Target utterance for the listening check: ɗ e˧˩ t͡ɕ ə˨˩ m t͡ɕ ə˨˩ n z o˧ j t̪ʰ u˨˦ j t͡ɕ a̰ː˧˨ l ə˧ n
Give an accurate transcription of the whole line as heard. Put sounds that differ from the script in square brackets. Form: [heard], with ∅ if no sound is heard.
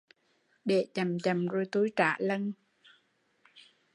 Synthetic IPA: ɗ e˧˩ t͡ɕ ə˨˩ m t͡ɕ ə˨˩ [m] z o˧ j [t̪] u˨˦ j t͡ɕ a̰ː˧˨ l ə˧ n